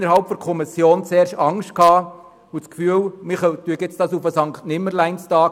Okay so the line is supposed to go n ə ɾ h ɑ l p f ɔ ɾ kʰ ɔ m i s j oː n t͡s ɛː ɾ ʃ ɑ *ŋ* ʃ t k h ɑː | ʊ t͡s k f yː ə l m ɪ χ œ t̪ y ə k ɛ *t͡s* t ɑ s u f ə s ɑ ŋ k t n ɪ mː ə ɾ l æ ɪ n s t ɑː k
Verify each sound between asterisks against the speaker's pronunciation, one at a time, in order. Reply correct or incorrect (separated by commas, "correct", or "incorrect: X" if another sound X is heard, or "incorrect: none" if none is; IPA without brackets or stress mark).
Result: correct, correct